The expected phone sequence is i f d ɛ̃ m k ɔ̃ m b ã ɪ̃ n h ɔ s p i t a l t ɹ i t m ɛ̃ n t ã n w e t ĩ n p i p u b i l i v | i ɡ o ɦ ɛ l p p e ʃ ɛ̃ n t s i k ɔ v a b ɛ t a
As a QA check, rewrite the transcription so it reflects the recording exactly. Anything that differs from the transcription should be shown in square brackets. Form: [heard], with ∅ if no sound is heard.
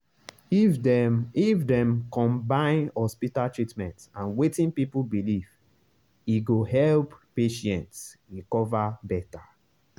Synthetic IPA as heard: i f d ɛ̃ m k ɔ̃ m b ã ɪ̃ n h ɔ s p i t a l t ɹ i t m ɛ̃ n t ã n w e t ĩ n p i p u b i l i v | i ɡ o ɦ ɛ l p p e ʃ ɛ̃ n t s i k ɔ v a b ɛ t a

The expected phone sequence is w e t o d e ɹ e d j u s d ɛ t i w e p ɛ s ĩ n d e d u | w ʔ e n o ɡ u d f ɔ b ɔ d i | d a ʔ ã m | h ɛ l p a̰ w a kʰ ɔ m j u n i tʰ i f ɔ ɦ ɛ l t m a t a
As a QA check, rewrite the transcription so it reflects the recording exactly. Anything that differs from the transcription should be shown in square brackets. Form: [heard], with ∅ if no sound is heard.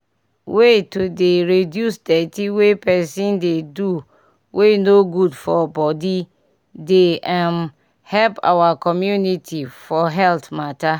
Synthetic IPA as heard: w e t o d e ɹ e d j u s d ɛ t i w e p ɛ s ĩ n d e d u | w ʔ e n o ɡ u d f ɔ b ɔ d i | d [e] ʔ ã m | h ɛ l p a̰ w a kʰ ɔ m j u n i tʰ i f ɔ ɦ ɛ l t m a t a

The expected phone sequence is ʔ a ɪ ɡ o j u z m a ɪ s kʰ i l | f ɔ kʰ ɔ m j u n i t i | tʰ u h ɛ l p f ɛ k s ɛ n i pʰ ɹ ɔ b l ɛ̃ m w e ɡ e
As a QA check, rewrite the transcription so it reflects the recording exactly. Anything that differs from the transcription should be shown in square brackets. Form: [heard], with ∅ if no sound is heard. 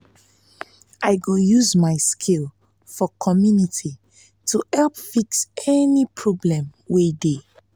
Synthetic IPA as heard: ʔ a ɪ ɡ o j u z m a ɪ s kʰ i l | f ɔ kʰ ɔ m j u n i t i | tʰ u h ɛ l p f [i] k s ɛ n i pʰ ɹ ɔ b l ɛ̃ m w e [d] e

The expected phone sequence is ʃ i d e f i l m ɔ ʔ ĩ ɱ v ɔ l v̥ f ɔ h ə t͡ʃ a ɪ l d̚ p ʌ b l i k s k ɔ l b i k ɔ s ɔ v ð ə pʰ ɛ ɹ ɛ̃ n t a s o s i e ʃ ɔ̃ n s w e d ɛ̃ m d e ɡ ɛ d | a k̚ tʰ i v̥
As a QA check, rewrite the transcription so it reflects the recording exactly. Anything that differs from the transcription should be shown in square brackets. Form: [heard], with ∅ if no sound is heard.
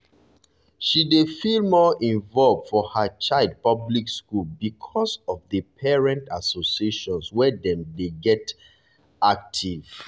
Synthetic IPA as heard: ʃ i d e f i l m ɔ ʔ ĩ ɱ v ɔ l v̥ f ɔ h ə t͡ʃ a ɪ l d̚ p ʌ b l i k s k [u] l b i [kʰ] ɔ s ɔ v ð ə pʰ ɛ ɹ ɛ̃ n t a s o s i e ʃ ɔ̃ n s w [ɛ] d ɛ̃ m d e ɡ ɛ [t] | a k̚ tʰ i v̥

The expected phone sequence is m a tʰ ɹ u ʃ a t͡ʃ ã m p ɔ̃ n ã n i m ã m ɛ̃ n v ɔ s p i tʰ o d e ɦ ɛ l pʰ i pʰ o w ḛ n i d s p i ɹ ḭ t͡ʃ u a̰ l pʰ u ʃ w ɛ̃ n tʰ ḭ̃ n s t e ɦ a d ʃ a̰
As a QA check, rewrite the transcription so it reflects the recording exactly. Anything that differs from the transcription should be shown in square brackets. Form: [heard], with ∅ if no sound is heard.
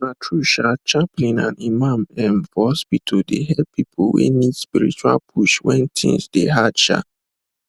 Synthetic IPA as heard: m a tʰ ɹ u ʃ a t͡ʃ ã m p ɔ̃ n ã n i m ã m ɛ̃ n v ɔ s p i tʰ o d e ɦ ɛ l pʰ i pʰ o w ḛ n i d s p i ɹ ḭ t͡ʃ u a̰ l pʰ u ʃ w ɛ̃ n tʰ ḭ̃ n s [d] e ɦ a d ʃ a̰

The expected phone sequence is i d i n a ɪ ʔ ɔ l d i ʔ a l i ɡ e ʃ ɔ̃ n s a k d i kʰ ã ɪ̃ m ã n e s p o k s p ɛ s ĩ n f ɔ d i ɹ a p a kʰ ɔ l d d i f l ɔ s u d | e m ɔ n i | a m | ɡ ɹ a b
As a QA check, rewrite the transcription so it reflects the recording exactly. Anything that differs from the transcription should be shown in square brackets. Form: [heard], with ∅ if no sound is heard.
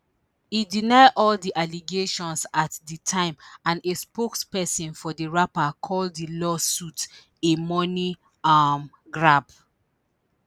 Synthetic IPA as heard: i d i n a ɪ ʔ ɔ l d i ʔ a l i ɡ e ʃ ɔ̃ n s a [t] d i [tʰ] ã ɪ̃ m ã n e s p o k s p ɛ s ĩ n f ɔ d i ɹ a p a kʰ ɔ l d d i [∅] l ɔ s u [t] | e m ɔ n i | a m | ɡ ɹ a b

